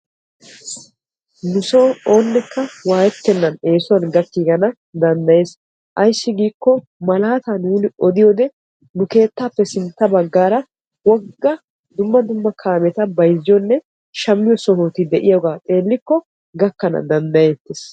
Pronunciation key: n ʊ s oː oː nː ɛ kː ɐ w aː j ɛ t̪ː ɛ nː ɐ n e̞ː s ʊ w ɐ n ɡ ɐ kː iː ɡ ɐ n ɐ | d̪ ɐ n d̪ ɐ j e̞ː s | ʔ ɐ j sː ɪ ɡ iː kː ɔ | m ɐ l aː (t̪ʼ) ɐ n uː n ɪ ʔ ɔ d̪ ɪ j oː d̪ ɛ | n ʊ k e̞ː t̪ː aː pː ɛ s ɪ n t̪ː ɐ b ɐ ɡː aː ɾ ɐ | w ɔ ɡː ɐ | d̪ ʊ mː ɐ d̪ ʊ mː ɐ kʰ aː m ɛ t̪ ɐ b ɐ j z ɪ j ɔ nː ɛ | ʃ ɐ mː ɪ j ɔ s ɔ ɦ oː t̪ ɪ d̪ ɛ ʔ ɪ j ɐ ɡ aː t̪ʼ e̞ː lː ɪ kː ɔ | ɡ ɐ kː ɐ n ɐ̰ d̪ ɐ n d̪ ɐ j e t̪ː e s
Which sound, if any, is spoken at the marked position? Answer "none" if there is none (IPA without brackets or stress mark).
t̪